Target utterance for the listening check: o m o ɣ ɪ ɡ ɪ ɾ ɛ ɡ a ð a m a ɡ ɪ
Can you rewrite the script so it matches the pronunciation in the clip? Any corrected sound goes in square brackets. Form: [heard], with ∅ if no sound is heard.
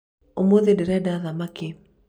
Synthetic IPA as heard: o m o [ð] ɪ [d] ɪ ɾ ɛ [d] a ð a m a [k] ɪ

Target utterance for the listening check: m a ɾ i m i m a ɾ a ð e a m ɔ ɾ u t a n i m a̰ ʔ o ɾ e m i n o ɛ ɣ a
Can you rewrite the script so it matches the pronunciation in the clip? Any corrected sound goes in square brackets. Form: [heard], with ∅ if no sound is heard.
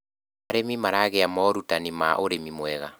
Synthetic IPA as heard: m a ɾ [e] m i m a ɾ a [ɣ] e a m ɔ ɾ u t a n i m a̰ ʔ o ɾ e m i [m] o ɛ ɣ a

